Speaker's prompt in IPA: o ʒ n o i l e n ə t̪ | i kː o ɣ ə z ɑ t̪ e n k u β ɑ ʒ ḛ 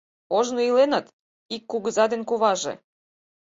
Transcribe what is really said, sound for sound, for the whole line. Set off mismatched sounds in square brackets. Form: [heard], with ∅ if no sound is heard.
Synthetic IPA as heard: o ʒ n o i l e n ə t̪ | i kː [u] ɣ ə z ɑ [d̪] e n k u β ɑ ʒ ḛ